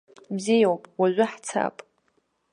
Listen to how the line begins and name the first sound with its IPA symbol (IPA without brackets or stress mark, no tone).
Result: b